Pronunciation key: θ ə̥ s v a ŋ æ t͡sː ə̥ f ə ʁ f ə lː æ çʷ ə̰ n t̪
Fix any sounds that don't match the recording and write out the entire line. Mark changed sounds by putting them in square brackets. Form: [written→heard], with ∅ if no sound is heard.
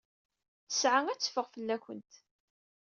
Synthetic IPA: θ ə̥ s [v→ʕ] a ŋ æ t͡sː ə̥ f ə ʁ f ə lː æ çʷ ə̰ n t̪